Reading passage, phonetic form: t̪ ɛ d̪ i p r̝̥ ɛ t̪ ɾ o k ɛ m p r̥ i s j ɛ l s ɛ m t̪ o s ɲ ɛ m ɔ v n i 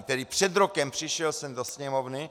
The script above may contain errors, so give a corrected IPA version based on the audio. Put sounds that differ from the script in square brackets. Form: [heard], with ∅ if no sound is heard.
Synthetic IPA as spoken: t̪ ɛ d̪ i p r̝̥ ɛ [d̪] ɾ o k ɛ m p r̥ i [ʃ] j ɛ l s ɛ m [d̪] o s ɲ ɛ m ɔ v n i